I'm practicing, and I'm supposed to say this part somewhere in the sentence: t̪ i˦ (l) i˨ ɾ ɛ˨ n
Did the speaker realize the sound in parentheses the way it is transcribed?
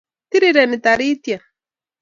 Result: no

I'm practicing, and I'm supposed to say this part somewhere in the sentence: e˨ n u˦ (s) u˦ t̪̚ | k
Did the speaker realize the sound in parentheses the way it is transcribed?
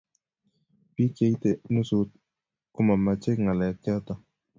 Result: yes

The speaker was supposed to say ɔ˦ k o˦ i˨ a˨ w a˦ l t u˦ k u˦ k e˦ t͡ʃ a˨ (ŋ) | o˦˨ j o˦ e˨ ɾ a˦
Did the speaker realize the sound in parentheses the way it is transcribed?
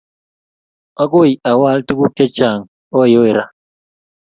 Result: yes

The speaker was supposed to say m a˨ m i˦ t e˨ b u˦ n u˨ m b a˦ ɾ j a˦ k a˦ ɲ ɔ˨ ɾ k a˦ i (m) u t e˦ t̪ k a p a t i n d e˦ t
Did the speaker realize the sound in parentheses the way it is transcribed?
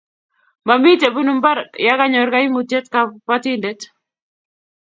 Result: yes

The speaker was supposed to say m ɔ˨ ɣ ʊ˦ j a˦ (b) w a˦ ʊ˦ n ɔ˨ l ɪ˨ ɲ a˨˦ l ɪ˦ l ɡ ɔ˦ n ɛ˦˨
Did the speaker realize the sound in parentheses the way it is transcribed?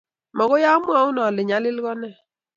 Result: no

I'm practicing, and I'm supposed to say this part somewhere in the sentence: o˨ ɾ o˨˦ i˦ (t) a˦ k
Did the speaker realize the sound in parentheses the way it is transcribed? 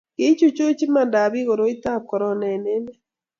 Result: yes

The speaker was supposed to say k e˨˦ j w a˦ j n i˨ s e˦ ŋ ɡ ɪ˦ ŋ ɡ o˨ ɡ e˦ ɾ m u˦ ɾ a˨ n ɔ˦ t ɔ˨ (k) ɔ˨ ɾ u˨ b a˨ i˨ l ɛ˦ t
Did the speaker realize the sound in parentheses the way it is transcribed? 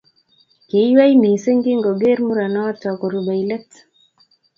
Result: yes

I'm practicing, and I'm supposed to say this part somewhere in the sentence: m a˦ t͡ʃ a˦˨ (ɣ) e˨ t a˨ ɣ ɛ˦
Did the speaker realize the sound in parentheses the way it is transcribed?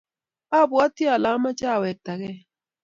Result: no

